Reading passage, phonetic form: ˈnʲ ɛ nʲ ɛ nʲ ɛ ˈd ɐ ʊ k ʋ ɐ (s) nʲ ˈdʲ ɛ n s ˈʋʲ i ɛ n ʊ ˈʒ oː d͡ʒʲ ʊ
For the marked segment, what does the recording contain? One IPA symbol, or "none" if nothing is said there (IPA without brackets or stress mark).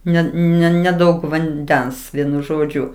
none